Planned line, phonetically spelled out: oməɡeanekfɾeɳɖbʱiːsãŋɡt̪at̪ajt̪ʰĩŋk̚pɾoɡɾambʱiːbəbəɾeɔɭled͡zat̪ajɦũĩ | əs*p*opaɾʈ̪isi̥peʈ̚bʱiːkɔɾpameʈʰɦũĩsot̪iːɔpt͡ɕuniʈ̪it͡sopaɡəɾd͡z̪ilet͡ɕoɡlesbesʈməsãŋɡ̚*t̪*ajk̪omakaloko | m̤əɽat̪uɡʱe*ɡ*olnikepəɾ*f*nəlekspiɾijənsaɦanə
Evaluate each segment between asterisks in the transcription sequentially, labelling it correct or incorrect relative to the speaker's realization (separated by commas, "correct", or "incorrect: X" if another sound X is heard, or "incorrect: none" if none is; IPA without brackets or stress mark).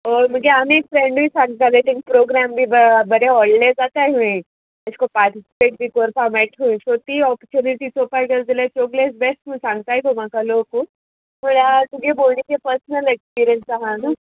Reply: incorrect: k, correct, incorrect: b, incorrect: s